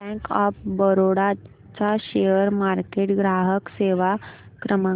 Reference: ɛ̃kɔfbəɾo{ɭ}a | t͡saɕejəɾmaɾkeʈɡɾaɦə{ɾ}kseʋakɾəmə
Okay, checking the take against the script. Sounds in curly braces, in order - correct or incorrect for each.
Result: incorrect: ɽ, incorrect: none

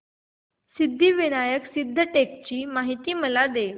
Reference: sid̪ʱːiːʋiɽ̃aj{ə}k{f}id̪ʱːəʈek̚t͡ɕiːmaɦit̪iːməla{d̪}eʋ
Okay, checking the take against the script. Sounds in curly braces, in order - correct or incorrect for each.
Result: correct, incorrect: s, correct

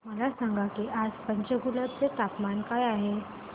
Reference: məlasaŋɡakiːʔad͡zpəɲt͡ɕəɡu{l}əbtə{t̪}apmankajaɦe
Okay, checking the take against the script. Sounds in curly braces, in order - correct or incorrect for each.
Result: correct, correct

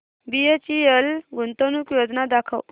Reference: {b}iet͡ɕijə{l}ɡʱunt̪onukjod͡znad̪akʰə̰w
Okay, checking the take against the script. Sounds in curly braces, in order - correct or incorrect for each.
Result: correct, correct

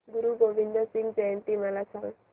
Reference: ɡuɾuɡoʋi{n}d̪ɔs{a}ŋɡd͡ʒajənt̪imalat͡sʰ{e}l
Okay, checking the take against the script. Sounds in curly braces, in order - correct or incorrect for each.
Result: correct, incorrect: i, incorrect: a

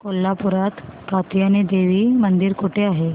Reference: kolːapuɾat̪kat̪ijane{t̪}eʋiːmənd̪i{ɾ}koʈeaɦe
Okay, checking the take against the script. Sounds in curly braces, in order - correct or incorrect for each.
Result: incorrect: d̪, correct

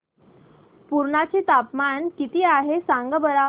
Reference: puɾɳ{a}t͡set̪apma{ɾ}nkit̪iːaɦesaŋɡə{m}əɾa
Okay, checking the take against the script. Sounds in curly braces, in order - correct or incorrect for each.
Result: correct, incorrect: none, incorrect: b

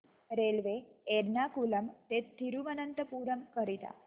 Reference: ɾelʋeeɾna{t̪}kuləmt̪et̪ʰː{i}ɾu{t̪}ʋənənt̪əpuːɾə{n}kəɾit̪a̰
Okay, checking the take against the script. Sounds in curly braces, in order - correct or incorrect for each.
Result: incorrect: none, correct, incorrect: none, incorrect: m

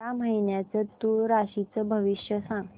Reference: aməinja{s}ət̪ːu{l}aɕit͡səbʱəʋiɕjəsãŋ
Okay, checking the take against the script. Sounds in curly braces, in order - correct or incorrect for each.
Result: incorrect: t͡s, incorrect: ɾ

